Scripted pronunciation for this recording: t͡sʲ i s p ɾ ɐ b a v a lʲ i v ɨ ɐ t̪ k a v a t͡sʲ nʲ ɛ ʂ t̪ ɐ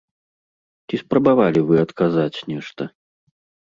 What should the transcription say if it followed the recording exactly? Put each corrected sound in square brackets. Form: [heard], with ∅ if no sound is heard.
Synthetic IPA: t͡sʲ i s p ɾ ɐ b a v a lʲ i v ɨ ɐ t̪ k a [z] a t͡sʲ nʲ ɛ ʂ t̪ ɐ